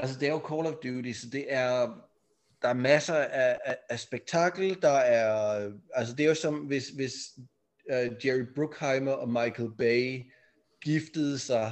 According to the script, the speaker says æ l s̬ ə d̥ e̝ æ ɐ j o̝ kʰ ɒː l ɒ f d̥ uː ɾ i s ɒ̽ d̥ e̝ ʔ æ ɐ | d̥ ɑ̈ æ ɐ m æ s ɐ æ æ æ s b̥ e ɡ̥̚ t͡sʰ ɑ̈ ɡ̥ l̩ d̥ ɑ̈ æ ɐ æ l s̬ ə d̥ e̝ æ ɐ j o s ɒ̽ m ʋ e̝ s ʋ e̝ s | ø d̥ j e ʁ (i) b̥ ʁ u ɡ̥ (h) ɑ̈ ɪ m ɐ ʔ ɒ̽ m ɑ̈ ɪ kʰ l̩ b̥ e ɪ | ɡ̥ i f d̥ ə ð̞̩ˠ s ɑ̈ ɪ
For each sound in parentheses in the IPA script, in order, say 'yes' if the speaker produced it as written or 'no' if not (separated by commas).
yes, yes